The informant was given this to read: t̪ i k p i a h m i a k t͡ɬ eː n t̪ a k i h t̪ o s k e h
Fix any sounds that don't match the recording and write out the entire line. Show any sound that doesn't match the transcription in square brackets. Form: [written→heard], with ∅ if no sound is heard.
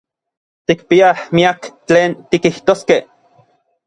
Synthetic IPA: t̪ i k p i a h m i a k t͡ɬ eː n t̪ [a→i] k i h t̪ o s k e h